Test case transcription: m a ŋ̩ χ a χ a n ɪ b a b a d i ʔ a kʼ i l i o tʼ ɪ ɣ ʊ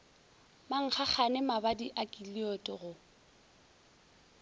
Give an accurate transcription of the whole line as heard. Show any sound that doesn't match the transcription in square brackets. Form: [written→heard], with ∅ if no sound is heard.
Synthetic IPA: m a ŋ̩ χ a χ a n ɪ [b→m] a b a d i ʔ a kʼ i l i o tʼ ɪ ɣ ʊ